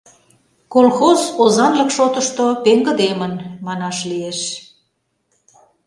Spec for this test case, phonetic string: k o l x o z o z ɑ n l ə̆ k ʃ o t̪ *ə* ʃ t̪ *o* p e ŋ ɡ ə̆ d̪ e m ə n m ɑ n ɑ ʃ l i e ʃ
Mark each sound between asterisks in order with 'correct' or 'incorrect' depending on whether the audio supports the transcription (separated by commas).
correct, correct